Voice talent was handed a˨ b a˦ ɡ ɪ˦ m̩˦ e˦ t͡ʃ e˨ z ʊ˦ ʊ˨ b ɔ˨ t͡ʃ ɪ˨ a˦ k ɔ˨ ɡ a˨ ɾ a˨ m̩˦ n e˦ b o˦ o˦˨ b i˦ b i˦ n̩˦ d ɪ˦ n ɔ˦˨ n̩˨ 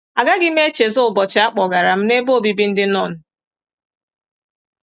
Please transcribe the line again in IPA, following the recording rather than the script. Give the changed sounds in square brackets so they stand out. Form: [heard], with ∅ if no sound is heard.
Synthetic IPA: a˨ [ɡ] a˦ ɡ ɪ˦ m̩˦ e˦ t͡ʃ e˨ z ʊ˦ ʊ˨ b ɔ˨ t͡ʃ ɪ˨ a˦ [k͡p] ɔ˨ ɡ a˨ ɾ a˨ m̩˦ n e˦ b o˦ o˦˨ b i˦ b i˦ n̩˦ d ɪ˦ n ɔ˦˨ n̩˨